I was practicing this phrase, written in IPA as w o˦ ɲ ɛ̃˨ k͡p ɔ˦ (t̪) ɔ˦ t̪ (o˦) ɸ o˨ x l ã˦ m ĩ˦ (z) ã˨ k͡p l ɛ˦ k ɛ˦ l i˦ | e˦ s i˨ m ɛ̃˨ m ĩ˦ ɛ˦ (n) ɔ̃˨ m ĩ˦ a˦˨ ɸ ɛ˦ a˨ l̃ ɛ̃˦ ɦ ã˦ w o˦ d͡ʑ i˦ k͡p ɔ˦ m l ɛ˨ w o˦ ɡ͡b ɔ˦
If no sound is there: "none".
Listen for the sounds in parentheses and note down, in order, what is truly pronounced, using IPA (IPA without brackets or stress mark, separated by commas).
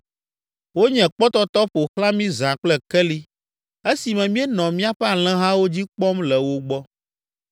t̪, ɔ˦, z, n